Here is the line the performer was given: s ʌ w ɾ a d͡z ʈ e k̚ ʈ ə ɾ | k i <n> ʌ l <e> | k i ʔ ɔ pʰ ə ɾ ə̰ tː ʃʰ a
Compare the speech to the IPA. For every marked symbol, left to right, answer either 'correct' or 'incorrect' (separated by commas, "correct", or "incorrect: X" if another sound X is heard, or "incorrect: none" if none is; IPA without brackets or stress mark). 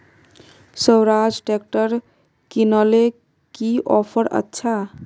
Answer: correct, correct